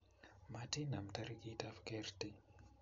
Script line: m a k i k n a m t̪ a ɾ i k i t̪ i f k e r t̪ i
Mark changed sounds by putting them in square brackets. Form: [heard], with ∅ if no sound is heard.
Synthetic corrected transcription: m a [t] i [∅] n a m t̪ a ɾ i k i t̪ [a] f k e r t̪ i